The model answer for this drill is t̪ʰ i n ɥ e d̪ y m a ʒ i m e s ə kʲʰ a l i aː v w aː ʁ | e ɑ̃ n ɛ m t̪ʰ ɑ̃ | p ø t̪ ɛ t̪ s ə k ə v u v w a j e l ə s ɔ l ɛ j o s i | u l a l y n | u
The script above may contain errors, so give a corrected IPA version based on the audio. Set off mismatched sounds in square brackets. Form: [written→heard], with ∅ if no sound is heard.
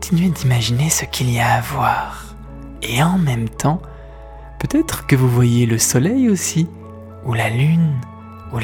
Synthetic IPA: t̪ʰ i n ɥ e d̪ [y→i] m a ʒ i [m→n] e s ə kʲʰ [a→i] l i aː v w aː ʁ | e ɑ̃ [n→m] ɛ m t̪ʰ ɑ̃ | p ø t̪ ɛ t̪ [s→χ] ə k ə v u v w a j e l ə s ɔ l ɛ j o s i | u l a l y n | u